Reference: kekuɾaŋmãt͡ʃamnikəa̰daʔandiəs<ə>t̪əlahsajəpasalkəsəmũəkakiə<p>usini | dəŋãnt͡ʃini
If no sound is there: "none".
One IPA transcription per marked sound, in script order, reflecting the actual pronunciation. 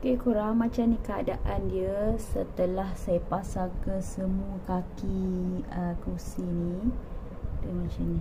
ə, k

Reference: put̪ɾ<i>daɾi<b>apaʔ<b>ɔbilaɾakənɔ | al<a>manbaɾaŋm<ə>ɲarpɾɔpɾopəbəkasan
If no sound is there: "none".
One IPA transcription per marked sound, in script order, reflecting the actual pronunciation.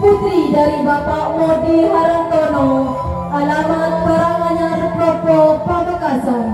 i, b, m, a, a

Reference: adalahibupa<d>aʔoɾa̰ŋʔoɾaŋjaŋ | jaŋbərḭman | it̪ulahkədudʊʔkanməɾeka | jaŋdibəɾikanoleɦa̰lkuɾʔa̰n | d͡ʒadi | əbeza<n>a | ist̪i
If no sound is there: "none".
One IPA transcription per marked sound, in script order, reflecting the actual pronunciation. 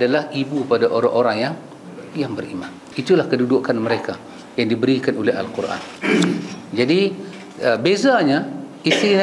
d, ɲ

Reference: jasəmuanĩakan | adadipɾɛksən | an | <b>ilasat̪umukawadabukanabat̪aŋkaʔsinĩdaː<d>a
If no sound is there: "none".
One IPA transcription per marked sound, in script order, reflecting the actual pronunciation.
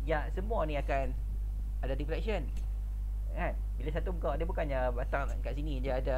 b, d

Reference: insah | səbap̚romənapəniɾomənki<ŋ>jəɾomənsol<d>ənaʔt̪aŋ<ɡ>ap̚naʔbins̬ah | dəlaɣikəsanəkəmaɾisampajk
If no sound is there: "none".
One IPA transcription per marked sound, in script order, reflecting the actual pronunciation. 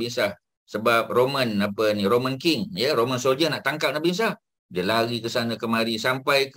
ŋ, d͡ʒ, k

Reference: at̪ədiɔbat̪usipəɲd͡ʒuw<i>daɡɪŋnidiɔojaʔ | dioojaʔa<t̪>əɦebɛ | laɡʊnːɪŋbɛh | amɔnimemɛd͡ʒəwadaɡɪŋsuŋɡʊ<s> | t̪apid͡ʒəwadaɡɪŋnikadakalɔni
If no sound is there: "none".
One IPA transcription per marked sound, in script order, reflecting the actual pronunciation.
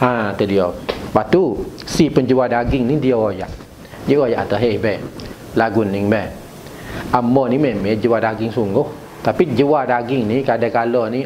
a, t̪, h

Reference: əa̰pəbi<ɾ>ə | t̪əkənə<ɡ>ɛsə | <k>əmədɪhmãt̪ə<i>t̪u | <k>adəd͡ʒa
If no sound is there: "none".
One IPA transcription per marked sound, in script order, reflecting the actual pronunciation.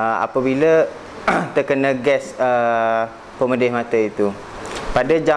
l, ɡ, p, i, p

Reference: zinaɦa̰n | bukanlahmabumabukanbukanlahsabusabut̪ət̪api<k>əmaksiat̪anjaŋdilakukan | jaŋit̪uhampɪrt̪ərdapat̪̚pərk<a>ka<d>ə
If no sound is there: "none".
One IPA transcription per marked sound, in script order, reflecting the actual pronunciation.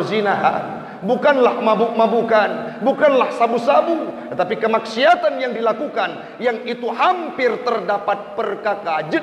k, a, d͡ʒ

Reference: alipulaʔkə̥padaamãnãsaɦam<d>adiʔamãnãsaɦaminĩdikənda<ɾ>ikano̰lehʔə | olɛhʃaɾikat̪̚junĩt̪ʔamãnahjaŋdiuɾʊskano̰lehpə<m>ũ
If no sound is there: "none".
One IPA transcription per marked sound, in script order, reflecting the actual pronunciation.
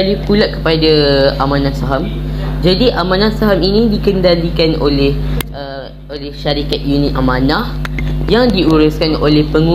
d͡ʒ, l, ŋ

